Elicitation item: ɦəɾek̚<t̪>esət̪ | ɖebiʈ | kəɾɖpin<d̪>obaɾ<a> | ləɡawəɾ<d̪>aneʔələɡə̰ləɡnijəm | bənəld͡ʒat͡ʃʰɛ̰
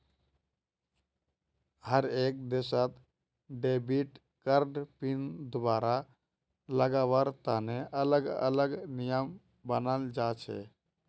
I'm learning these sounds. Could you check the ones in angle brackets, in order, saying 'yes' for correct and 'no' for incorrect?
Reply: no, yes, yes, no

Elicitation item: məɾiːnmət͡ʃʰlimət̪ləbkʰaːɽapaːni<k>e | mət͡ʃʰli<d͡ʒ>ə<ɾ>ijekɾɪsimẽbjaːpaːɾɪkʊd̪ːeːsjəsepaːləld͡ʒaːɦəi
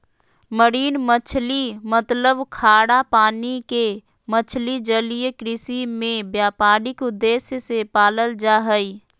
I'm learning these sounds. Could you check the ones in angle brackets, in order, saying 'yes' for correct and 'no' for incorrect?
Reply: yes, yes, no

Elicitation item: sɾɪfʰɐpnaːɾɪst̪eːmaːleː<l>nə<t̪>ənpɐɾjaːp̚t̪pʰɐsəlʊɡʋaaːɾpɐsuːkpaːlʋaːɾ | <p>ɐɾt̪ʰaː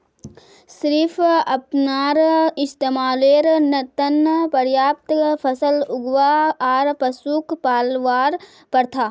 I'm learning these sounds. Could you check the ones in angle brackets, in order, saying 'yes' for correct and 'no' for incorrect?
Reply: no, yes, yes

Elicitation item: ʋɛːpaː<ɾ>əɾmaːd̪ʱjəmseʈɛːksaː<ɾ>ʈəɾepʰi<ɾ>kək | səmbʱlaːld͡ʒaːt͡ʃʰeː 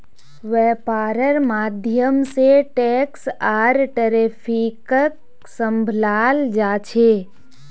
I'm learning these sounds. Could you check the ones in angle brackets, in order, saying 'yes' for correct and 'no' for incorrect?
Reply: yes, yes, no

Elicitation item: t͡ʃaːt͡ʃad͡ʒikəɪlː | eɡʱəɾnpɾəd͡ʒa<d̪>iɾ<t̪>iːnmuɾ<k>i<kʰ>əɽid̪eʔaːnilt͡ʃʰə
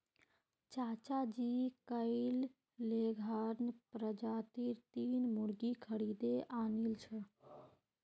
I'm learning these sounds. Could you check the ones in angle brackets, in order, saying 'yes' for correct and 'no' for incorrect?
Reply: no, yes, no, yes

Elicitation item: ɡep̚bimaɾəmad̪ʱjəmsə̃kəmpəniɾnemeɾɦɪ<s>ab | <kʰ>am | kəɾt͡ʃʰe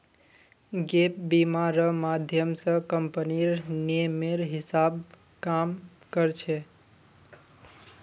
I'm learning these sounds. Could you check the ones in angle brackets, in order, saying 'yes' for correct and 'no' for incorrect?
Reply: yes, no

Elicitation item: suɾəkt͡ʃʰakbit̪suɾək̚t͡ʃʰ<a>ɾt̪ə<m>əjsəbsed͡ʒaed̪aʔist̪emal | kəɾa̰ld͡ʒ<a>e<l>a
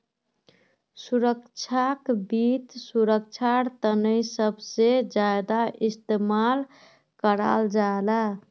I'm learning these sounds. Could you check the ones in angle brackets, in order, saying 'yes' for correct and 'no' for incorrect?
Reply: yes, no, yes, yes

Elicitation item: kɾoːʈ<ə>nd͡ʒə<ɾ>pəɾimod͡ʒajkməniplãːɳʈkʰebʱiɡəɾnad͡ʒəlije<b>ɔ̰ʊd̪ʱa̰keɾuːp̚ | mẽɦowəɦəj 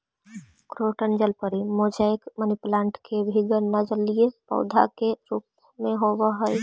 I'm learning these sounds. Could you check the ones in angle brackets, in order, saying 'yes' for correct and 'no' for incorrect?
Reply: yes, no, no

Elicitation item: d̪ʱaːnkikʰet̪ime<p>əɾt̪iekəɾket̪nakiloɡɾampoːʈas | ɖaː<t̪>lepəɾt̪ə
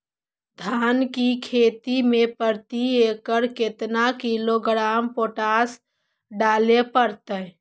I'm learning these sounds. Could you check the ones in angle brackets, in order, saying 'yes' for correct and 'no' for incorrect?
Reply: yes, no

